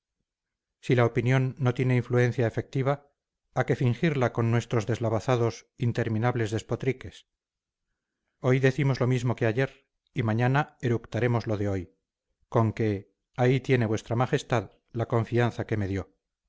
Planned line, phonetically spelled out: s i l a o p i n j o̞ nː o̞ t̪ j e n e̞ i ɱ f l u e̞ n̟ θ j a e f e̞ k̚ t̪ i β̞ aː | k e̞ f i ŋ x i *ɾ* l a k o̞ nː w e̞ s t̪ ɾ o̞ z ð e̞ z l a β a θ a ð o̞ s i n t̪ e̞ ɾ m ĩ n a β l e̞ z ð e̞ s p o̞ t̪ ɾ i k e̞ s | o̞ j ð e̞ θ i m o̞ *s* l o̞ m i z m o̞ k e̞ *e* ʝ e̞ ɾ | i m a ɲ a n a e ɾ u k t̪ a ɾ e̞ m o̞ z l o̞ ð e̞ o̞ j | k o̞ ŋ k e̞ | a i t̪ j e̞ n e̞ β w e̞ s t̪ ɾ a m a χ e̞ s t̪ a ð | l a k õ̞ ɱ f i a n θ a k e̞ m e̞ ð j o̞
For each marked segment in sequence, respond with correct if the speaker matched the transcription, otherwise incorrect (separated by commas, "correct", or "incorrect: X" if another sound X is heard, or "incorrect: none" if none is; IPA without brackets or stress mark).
correct, incorrect: z, incorrect: a